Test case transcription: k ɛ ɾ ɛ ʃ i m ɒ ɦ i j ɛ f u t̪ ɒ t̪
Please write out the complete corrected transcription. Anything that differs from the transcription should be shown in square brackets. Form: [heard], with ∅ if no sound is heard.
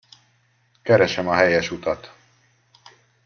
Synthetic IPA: k ɛ ɾ ɛ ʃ [ɛ] m ɒ ɦ [ɛ] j ɛ [ʃ] u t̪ ɒ t̪